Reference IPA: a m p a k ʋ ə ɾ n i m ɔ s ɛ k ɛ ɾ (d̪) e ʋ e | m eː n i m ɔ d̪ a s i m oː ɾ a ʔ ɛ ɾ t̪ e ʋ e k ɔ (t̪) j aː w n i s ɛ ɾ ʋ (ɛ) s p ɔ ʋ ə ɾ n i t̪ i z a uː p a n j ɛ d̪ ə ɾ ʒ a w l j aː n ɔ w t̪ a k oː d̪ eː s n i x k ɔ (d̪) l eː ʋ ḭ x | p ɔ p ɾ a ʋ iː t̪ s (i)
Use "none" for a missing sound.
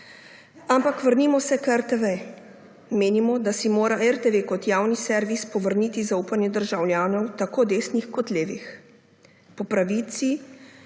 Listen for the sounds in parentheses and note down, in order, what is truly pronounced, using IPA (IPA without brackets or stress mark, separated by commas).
t̪, t̪, i, t̪, i